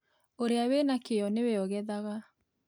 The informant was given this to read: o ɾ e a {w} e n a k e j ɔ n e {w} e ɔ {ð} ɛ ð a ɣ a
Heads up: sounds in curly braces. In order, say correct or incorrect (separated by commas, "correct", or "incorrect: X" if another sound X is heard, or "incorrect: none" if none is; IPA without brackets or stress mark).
correct, correct, incorrect: ɣ